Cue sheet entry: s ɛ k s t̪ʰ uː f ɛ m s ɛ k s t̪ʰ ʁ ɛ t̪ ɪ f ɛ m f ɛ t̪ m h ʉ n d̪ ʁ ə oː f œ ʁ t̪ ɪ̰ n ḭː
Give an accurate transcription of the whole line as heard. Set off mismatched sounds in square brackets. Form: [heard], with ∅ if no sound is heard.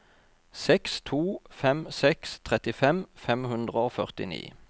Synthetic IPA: s ɛ k s t̪ʰ uː f ɛ m s ɛ k s t̪ʰ ʁ ɛ t̪ ɪ f ɛ m f ɛ [∅] m h ʉ n d̪ ʁ ə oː f œ ʁ t̪ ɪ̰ n ḭː